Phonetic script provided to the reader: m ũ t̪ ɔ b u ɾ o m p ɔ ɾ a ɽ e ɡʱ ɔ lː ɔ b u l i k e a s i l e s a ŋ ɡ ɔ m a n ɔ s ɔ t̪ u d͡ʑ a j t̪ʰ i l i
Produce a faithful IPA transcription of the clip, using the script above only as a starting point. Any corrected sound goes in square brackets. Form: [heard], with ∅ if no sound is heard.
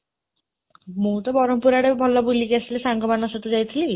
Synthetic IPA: m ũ t̪ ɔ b [ɔ] ɾ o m p [u] ɾ a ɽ e [bʱ] ɔ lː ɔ b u l i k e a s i l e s a ŋ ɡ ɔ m a n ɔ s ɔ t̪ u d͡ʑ a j t̪ʰ i l i

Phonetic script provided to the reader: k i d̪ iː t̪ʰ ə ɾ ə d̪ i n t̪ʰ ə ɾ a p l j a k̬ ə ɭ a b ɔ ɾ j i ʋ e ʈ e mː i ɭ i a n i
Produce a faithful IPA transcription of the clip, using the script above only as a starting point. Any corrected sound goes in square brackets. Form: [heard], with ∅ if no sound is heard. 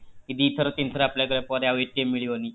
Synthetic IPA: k i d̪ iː t̪ʰ ə ɾ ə [t̪] i n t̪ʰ ə ɾ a p l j a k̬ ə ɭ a [p] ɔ ɾ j [a] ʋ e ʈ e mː i ɭ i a n i

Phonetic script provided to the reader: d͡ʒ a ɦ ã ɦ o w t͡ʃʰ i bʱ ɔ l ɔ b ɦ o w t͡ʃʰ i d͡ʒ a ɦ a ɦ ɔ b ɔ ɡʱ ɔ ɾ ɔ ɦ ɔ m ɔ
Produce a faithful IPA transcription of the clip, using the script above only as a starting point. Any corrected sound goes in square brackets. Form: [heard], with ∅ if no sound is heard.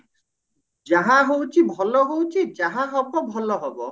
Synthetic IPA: d͡ʒ a ɦ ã ɦ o w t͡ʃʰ i bʱ ɔ l ɔ [∅] ɦ o w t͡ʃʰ i d͡ʒ a ɦ a ɦ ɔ b ɔ [bʱ] ɔ [l] ɔ ɦ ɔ [b] ɔ

